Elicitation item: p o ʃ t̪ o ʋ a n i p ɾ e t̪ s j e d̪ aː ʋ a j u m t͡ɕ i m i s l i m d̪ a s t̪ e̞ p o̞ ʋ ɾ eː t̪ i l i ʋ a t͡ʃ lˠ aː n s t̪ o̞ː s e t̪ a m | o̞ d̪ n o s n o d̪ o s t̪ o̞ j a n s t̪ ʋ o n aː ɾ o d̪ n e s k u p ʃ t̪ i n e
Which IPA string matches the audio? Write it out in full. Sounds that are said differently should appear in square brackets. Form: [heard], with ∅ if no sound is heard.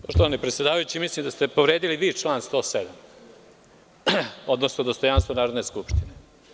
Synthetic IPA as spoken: p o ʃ t̪ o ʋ a n i p ɾ e t̪ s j e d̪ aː ʋ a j u [∅] t͡ɕ i m i s l i m d̪ a s t̪ e̞ p o̞ ʋ ɾ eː [d̪] i l i ʋ [i] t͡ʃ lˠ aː n s t̪ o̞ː s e [d̪] a m | o̞ d̪ n o s n o d̪ o s t̪ o̞ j a n s t̪ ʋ o n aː ɾ o d̪ n e s k u p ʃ t̪ i n e

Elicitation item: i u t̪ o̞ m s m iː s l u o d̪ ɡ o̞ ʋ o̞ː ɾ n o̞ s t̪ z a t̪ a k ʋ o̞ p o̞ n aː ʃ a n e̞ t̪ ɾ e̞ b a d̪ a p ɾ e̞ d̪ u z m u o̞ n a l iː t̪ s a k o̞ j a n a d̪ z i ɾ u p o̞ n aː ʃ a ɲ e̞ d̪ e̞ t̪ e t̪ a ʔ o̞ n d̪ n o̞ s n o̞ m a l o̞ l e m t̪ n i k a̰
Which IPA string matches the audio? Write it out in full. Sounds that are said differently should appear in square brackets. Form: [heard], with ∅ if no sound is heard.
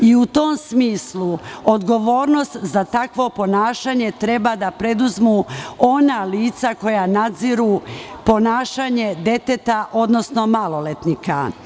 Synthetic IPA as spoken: i u t̪ o̞ m s m iː s l u o d̪ ɡ o̞ ʋ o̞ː ɾ n o̞ s t̪ z a t̪ a k ʋ o̞ p o̞ n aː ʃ a [ɲ] e̞ t̪ ɾ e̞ b a d̪ a p ɾ e̞ d̪ u z m u o̞ n a l iː t̪ s a k o̞ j a n a d̪ z i ɾ u p o̞ n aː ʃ a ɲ e̞ d̪ e̞ t̪ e t̪ a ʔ o̞ [∅] d̪ n o̞ s n o̞ m a l o̞ l e [∅] t̪ n i k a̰

